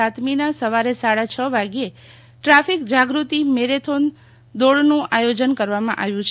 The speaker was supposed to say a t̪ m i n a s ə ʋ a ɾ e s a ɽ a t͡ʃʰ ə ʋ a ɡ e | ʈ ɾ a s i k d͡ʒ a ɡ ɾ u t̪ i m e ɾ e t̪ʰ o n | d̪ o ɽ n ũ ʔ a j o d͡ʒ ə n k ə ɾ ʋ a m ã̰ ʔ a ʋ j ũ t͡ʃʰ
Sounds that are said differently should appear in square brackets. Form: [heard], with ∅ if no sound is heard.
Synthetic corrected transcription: a t̪ m i n a s ə ʋ a ɾ e s a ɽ a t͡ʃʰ ə ʋ a ɡ e | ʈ ɾ a [f] i k d͡ʒ a ɡ ɾ u t̪ i m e ɾ e t̪ʰ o n | d̪ o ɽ n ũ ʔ a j o d͡ʒ ə n k ə ɾ ʋ a m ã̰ ʔ a ʋ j ũ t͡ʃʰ

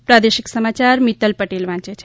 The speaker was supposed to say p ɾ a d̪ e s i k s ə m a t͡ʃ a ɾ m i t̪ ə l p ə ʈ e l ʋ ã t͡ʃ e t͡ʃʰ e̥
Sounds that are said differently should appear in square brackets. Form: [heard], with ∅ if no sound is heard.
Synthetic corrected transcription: p ɾ a d̪ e [ʃ] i k s ə m a t͡ʃ a ɾ m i t̪ ə l p ə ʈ e l ʋ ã t͡ʃ e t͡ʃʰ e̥

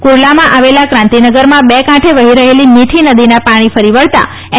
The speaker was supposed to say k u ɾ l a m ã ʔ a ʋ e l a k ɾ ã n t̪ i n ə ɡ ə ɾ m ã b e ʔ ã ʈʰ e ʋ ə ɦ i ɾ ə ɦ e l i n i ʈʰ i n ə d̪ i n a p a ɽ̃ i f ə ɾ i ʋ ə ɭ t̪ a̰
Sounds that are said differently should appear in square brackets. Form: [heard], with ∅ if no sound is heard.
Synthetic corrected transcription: k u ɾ l a m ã ʔ a ʋ e l a k ɾ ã n t̪ i n ə ɡ ə ɾ m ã b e [k] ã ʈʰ e ʋ ə ɦ i ɾ ə ɦ e l i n i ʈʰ i n ə d̪ i n a p a ɽ̃ i f ə ɾ i ʋ ə ɭ t̪ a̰

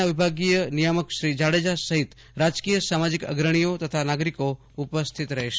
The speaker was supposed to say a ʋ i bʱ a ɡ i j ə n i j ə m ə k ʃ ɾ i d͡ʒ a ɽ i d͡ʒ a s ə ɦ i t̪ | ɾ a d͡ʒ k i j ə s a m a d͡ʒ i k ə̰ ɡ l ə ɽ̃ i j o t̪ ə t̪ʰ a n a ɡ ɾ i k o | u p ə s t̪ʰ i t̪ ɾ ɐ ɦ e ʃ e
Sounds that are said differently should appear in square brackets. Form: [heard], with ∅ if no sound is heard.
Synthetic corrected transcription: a ʋ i bʱ a ɡ i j ə n i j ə m ə k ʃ ɾ i d͡ʒ a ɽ [e] d͡ʒ a s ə ɦ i t̪ | ɾ a d͡ʒ k i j ə s a m a d͡ʒ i k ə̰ ɡ [ɾ] ə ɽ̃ i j o t̪ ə t̪ʰ a n a ɡ ɾ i k o | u p ə s t̪ʰ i t̪ ɾ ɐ ɦ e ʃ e

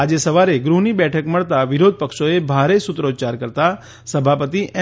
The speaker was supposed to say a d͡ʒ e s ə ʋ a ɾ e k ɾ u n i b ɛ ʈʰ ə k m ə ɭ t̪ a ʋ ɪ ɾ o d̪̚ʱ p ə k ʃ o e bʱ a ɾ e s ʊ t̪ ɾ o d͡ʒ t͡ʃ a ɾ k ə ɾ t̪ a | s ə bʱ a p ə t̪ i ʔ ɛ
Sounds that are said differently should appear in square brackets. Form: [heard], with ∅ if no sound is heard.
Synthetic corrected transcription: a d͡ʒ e s ə ʋ a ɾ e [ɡ] ɾ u n i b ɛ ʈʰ ə k m ə ɭ t̪ a ʋ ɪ ɾ o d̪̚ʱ p ə k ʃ o e bʱ a ɾ e s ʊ t̪ ɾ o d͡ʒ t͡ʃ a ɾ k ə ɾ t̪ a | s ə bʱ a p ə t̪ i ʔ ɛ

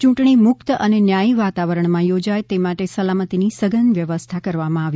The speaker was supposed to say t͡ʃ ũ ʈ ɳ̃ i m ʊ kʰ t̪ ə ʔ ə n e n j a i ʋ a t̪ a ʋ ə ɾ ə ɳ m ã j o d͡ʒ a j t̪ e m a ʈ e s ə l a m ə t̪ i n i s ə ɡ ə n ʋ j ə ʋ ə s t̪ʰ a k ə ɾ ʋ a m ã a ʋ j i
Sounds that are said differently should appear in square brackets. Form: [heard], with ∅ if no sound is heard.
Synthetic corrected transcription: t͡ʃ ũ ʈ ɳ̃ i m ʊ [k] t̪ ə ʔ ə n e n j a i ʋ a t̪ a ʋ ə ɾ ə ɳ m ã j o d͡ʒ a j t̪ e m a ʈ e s ə l a m ə t̪ i n i s ə ɡ ə n ʋ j ə ʋ ə s t̪ʰ a k ə ɾ ʋ a m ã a ʋ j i

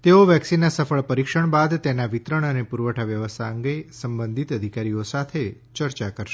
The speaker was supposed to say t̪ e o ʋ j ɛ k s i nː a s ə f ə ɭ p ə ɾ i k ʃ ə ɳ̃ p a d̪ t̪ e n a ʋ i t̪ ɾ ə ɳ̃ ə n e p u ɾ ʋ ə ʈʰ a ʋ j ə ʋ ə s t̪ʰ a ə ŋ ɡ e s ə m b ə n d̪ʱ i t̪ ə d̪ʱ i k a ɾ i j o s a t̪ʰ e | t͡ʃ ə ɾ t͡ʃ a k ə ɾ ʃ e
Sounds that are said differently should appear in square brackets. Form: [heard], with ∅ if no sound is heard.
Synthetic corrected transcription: t̪ e o ʋ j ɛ k s i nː a s ə f ə ɭ p ə ɾ i k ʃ ə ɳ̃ [b] a d̪ t̪ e n a ʋ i t̪ ɾ ə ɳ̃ ə n e p u ɾ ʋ ə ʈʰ a ʋ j ə ʋ ə s t̪ʰ a ə ŋ ɡ e s ə m b ə n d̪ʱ i t̪ ə d̪ʱ i k a ɾ i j o s a t̪ʰ e | t͡ʃ ə ɾ t͡ʃ a k ə ɾ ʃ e

